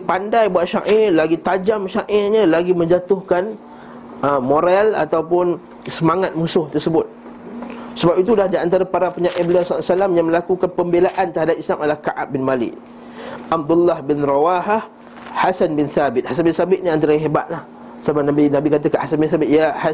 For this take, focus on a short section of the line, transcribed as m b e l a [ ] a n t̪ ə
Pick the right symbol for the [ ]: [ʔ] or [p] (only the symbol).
ʔ